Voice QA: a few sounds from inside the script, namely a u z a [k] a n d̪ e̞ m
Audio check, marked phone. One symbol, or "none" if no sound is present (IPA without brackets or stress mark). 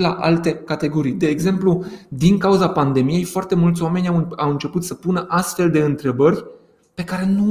p